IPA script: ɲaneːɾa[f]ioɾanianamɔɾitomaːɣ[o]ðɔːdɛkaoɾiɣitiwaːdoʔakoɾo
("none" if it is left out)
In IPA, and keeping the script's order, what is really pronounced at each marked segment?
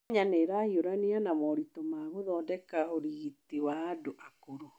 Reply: h, o

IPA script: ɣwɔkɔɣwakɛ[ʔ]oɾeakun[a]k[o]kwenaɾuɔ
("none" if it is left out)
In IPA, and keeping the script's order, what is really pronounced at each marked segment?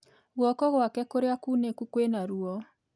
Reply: k, e, u

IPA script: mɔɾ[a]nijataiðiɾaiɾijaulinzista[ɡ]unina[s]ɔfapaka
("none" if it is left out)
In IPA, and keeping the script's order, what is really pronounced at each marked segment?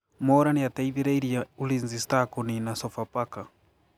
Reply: a, k, s

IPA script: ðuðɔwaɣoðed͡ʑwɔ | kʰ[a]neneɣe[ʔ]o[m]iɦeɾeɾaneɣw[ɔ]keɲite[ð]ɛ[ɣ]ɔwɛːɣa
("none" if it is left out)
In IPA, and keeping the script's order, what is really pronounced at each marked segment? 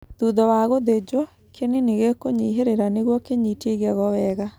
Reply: e, k, ɲ, ɔ, ɣ, ɣ

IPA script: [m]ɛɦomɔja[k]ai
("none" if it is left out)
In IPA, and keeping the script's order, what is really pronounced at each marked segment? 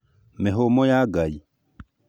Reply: m, ɡ

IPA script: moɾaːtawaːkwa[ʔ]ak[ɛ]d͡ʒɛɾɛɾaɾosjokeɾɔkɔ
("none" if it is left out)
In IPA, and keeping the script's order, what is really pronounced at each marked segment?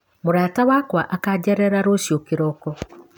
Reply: ʔ, a

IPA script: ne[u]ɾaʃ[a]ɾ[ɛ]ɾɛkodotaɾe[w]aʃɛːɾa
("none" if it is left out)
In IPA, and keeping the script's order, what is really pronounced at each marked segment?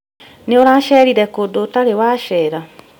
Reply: o, ɛ, i, w

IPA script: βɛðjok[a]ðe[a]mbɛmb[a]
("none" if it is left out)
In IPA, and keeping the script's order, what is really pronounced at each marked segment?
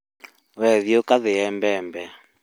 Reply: a, ɛ, ɛ

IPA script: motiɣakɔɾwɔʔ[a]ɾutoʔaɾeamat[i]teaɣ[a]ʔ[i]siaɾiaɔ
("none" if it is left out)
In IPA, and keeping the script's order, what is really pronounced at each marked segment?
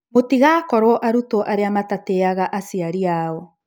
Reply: a, a, a, a

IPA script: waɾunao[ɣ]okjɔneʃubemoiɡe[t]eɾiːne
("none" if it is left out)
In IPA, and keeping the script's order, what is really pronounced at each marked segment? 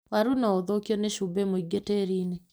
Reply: ð, t

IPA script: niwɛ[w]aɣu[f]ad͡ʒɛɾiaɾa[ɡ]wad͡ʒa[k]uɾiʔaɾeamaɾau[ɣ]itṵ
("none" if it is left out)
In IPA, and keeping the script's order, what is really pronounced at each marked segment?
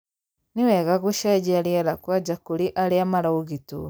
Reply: ɣ, ʃ, k, k, ɣ

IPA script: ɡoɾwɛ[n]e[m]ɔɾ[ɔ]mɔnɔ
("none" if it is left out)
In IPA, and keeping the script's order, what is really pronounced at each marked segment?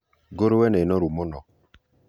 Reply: n, n, u

